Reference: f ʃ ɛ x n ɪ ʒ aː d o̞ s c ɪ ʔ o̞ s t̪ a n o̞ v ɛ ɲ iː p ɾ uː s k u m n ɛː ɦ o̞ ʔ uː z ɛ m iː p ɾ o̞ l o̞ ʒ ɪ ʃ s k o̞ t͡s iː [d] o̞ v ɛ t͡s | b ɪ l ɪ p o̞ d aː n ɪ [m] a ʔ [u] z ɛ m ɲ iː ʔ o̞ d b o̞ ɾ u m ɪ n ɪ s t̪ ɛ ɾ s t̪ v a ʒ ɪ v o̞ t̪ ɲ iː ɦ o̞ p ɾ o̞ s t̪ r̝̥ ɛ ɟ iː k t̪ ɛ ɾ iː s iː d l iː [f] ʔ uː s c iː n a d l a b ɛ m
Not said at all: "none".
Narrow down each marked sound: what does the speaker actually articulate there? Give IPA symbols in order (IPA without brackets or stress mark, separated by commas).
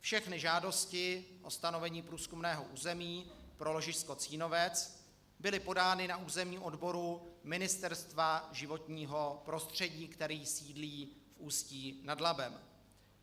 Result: n, n, uː, f